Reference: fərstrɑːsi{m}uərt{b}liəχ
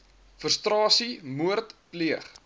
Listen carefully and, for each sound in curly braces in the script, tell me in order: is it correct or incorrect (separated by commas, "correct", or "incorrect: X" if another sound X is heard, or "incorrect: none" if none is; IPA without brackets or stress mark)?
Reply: correct, incorrect: p